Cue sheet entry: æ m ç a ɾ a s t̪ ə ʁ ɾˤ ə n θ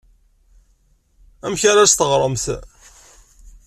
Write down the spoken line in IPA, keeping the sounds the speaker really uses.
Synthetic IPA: æ m ç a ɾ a s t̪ ə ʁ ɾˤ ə m θ